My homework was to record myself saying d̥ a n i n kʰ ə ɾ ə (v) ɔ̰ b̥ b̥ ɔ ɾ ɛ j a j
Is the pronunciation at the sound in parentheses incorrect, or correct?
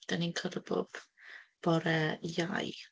incorrect